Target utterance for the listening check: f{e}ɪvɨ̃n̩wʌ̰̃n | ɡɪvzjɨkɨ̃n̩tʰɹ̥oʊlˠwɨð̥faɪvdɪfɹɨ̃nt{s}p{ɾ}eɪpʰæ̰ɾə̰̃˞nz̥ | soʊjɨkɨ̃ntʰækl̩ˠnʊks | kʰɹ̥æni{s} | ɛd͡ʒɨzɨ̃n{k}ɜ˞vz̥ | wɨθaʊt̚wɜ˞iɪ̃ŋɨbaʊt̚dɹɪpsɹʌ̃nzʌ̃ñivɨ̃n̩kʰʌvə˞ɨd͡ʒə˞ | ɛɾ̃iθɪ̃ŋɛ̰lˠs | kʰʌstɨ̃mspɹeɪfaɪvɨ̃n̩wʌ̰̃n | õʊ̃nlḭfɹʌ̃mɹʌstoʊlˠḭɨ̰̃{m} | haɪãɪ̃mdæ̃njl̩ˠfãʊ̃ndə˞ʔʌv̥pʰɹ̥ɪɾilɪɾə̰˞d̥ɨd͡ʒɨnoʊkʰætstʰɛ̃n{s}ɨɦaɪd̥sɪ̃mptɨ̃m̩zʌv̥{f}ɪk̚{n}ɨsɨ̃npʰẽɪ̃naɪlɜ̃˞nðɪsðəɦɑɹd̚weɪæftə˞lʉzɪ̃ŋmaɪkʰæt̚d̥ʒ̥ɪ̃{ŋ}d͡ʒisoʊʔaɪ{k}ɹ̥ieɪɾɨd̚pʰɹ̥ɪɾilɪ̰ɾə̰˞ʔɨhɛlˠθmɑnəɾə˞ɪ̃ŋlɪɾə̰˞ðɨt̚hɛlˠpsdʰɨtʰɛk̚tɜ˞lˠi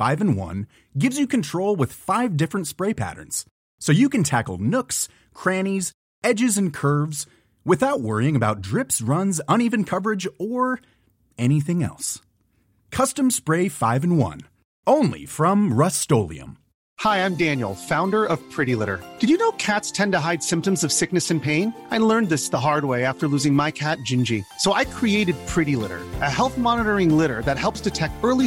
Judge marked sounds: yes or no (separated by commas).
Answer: no, yes, no, no, no, yes, no, no, yes, no, no